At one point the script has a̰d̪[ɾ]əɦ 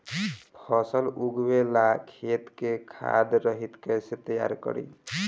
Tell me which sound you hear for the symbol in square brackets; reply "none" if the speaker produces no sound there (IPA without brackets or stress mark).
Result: ɾ